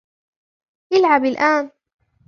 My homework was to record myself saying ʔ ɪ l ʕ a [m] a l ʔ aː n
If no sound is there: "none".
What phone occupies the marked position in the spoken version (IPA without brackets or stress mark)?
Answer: b